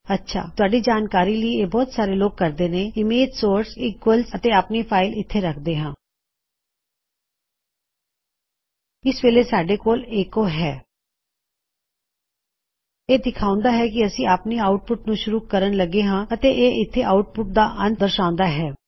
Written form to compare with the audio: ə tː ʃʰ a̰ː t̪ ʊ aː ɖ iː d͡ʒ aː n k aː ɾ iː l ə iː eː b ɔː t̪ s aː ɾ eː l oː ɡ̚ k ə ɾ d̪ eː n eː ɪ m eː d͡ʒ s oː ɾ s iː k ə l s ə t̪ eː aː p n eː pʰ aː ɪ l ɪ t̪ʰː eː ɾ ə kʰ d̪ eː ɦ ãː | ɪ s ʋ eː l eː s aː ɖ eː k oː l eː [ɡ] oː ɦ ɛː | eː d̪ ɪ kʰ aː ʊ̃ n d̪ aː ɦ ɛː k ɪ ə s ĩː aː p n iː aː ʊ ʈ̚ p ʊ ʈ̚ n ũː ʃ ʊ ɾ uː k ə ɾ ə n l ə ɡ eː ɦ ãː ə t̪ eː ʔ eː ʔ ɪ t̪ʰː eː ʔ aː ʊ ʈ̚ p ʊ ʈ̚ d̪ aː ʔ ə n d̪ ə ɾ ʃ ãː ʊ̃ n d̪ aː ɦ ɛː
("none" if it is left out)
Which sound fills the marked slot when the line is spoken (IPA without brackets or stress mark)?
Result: k